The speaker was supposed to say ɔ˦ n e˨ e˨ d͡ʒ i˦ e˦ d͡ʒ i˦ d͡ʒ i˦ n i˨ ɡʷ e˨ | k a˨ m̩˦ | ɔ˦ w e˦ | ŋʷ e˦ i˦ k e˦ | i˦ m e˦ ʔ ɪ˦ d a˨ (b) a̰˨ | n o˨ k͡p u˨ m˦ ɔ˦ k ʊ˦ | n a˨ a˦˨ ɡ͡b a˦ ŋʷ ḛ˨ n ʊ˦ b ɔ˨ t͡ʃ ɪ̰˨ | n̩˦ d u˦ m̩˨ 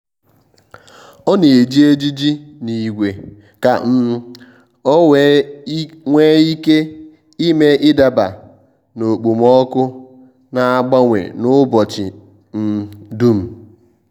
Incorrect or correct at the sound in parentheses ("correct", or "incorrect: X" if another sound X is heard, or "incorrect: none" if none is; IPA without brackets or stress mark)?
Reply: correct